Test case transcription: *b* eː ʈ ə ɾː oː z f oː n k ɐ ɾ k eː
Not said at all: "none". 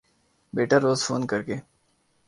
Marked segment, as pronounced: b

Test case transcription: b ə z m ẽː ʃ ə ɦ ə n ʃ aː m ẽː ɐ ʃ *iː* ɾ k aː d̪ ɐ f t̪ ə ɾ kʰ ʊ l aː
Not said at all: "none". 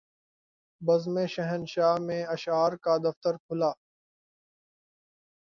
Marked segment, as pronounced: aː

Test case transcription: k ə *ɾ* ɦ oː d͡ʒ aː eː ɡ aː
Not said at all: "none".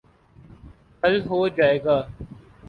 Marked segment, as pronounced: l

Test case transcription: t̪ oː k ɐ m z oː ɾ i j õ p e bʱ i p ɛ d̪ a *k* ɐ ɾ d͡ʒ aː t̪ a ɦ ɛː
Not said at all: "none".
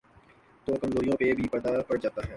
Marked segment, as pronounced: p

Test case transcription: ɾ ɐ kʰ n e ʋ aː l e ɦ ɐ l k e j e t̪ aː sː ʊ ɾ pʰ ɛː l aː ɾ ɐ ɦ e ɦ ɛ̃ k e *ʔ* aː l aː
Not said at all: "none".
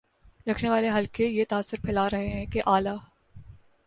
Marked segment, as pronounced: ʔ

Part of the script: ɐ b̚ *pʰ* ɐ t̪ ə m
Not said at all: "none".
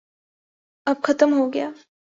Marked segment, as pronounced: kʰ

